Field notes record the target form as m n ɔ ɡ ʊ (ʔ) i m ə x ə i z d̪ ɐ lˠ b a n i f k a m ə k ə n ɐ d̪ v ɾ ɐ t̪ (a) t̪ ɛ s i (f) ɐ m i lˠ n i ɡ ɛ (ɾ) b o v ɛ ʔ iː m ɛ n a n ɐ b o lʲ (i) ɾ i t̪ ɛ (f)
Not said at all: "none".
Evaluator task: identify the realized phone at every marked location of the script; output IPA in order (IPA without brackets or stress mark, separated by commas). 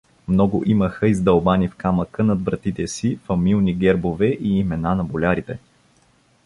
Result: ʔ, i, f, ɾ, a, none